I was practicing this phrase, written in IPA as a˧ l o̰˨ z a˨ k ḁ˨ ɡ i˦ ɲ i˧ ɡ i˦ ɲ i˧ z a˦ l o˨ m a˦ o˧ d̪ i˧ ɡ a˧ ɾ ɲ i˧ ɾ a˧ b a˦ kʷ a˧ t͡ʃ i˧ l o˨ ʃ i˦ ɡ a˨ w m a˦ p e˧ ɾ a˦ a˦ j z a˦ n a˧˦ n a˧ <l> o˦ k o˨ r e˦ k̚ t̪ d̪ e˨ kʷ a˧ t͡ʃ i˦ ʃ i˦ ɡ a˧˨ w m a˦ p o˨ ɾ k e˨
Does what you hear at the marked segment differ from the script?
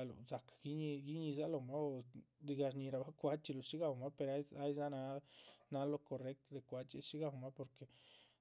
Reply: no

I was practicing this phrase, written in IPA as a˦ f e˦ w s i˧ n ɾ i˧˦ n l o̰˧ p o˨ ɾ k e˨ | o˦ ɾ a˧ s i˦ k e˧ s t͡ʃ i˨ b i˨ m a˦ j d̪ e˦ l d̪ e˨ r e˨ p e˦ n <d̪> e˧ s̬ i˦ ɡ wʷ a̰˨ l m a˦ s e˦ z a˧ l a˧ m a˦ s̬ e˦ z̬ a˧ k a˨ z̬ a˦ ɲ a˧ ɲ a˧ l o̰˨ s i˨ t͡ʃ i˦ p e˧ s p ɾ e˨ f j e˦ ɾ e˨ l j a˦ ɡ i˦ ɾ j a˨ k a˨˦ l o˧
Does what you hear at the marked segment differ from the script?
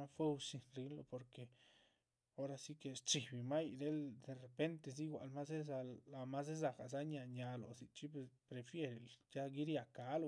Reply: yes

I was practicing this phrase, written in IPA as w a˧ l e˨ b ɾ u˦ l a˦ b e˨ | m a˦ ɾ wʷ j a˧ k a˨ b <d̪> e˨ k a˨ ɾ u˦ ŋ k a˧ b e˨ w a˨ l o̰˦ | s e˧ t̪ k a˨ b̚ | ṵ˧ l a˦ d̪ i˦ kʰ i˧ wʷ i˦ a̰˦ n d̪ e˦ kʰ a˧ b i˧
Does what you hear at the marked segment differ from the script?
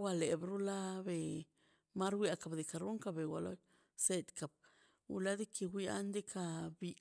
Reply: no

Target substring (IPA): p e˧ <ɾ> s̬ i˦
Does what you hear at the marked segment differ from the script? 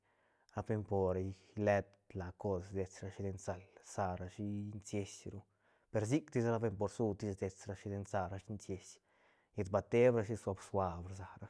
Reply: no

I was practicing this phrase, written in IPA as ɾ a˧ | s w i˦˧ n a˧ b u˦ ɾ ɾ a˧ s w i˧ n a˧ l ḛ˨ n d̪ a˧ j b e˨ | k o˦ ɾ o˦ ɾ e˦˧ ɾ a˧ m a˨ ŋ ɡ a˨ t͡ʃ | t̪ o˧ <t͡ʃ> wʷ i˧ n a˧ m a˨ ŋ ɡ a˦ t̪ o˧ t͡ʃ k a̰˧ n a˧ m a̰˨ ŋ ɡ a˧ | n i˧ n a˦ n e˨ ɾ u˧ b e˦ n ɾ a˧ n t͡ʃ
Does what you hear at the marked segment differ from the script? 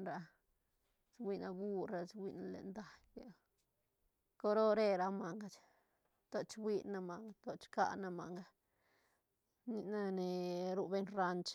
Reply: no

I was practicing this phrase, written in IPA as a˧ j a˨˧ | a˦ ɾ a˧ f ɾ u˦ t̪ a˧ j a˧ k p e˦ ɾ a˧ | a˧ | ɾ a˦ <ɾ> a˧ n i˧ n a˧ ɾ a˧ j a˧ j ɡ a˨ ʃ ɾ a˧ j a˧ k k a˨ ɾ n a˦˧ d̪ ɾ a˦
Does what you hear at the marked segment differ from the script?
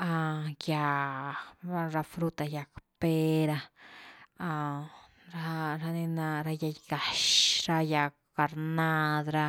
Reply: no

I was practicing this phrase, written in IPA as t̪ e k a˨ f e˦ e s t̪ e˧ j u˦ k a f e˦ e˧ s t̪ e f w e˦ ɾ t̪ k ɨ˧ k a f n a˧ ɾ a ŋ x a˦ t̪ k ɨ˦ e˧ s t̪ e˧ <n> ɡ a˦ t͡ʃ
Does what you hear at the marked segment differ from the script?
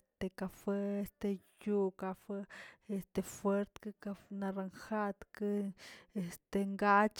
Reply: yes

